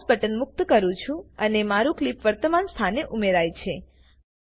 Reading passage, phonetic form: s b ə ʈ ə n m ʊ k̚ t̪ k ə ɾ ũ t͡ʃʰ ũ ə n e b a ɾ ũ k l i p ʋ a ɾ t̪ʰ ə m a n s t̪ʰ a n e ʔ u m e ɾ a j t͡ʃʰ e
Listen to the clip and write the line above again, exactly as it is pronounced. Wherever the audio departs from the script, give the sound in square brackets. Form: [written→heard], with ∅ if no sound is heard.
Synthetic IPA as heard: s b ə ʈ ə n m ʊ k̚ t̪ k ə ɾ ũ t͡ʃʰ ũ ə n e [b→m] a ɾ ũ k l i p ʋ [a→ə] ɾ [t̪ʰ→t̪] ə m a n s t̪ʰ a n e ʔ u m e ɾ a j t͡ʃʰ e

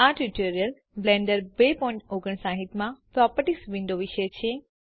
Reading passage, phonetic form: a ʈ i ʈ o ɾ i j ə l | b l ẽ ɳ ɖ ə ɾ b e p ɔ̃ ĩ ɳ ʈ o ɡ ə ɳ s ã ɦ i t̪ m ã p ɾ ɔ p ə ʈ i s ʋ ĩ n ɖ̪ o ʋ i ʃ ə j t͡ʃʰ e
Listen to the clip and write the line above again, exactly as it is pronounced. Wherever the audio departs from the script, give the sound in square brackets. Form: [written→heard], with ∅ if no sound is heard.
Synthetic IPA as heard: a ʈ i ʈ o ɾ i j ə l | b l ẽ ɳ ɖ ə ɾ b e p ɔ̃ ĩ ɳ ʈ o ɡ ə ɳ s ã ɦ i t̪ m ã p ɾ ɔ p ə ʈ i s ʋ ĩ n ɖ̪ o ʋ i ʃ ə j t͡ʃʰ e

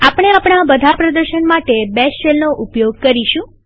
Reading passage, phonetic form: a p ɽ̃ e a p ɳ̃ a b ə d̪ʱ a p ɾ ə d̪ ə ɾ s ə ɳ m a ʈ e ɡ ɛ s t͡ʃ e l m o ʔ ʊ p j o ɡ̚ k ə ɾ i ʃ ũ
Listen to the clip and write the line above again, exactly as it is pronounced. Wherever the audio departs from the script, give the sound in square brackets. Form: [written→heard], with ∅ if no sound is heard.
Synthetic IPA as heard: a p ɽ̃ e a p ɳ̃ a b ə d̪ʱ a p ɾ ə d̪ ə ɾ [s→ʃ] ə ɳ m a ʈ e [ɡ→b] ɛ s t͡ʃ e l [m→n] o ʔ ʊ p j o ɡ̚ k ə ɾ i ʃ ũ

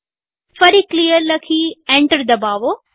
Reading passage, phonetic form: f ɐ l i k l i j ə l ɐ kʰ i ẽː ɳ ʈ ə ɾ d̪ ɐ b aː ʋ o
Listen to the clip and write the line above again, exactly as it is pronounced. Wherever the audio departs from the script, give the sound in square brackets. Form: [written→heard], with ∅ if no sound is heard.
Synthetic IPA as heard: f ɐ [l→ɾ] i k l i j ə l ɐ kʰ i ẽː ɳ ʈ ə ɾ d̪ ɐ b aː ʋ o

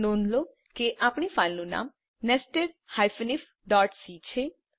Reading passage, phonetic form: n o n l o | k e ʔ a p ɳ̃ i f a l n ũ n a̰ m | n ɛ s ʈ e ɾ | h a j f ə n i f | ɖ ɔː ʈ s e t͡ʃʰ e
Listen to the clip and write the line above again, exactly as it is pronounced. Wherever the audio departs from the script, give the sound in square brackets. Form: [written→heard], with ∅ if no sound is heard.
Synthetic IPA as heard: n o n l o | k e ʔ a p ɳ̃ i f a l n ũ n a̰ m | n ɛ s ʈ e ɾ | h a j f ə n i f | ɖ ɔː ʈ s [e→i] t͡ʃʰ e

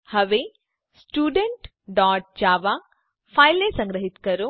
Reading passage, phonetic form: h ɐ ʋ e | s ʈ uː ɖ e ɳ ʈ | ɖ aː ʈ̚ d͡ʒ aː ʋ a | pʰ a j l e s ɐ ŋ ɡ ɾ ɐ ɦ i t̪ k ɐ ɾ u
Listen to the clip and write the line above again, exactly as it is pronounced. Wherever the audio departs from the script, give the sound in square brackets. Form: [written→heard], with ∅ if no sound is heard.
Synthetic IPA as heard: h ɐ ʋ e | s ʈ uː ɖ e ɳ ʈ | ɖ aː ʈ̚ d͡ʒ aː ʋ a | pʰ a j l e s ɐ ŋ ɡ ɾ ɐ ɦ i t̪ k ɐ ɾ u

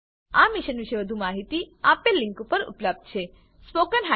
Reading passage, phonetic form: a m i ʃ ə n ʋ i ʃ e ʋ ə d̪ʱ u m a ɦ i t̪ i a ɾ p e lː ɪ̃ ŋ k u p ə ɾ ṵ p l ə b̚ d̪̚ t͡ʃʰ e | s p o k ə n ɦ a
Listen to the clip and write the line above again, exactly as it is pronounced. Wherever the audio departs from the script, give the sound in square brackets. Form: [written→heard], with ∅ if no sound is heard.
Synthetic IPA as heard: a m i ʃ ə n ʋ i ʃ e ʋ ə d̪ʱ u m a ɦ i t̪ i a [ɾ→∅] p e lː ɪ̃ ŋ k u p ə ɾ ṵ p l ə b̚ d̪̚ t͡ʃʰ e | s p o k ə n ɦ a

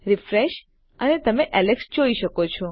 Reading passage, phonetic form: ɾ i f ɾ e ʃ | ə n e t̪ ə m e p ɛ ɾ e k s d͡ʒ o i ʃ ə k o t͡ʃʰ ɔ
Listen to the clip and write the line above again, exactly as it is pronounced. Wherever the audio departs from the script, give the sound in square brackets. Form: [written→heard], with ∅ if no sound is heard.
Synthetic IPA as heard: ɾ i f ɾ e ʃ | ə n e t̪ ə m e [p→ʔ] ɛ [ɾ→l] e k s d͡ʒ o i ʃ ə k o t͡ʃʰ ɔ

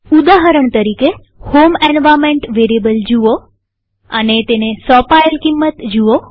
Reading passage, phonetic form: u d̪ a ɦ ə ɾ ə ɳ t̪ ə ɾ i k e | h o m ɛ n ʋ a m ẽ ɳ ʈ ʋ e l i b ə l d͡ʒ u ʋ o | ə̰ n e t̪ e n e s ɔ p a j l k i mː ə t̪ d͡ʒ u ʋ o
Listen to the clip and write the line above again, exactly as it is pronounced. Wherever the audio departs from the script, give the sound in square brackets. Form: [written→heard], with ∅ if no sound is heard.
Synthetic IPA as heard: u d̪ a ɦ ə ɾ ə ɳ t̪ ə ɾ i k e | h o m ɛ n ʋ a m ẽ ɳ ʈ ʋ e [l→ɾ] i b ə l d͡ʒ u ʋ o | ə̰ n e t̪ e n e s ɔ p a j l k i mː ə t̪ d͡ʒ u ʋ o

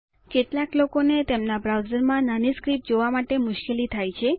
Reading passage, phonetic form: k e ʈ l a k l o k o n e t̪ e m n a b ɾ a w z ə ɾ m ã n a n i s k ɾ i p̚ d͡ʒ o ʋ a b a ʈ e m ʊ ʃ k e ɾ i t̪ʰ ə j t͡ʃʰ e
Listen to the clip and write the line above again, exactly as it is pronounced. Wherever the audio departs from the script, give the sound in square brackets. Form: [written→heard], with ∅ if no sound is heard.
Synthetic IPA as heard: k e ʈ l a k l o k o n e t̪ e m n a b ɾ a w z ə ɾ m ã n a n i s k ɾ i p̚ d͡ʒ o ʋ a [b→m] a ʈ e m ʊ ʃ k e [ɾ→l] i t̪ʰ [ə→a] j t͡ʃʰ e

